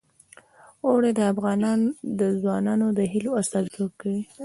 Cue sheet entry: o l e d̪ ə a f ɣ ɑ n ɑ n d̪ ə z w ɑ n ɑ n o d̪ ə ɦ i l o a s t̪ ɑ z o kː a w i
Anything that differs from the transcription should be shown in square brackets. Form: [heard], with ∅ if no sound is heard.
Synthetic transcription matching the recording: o [ɽ] e d̪ ə a f ɣ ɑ n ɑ n d̪ ə z w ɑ n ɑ n o d̪ ə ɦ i l o a s t̪ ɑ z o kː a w i